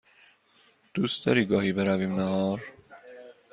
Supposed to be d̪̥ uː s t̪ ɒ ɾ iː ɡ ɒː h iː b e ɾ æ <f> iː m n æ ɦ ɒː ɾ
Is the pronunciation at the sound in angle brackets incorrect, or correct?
incorrect